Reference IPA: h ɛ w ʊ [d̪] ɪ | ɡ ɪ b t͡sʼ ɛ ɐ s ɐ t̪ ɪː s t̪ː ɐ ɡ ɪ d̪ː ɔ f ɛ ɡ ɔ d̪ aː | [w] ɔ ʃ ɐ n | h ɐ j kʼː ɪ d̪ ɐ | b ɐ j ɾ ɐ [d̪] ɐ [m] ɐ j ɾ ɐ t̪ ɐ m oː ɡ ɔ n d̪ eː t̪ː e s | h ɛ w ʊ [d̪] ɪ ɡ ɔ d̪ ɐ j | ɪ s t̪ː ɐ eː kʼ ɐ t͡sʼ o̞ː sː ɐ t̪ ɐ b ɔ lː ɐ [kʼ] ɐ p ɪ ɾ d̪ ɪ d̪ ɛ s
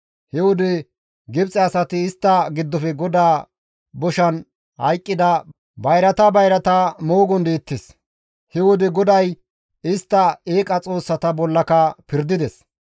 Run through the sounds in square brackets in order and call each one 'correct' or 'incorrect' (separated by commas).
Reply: correct, incorrect, incorrect, incorrect, correct, incorrect